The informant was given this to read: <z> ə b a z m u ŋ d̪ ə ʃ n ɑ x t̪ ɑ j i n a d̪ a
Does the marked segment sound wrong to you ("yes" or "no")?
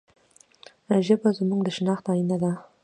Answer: yes